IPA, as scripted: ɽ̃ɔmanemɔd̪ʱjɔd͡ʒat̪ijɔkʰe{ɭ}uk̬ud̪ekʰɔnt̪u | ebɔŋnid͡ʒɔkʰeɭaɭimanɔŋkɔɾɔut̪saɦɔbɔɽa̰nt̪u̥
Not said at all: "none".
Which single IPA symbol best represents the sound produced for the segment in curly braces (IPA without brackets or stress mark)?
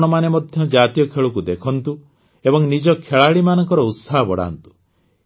ɭ